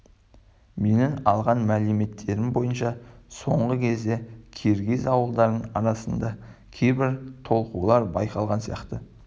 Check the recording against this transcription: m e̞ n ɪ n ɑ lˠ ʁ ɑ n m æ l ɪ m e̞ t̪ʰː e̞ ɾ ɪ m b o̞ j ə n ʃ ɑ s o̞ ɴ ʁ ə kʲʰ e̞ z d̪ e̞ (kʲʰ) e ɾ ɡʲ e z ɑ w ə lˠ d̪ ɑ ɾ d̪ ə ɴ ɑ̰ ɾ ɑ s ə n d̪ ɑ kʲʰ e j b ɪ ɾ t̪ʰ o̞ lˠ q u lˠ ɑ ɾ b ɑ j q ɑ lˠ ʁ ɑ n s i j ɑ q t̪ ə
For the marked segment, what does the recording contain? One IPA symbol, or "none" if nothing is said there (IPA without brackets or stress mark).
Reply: kʲʰ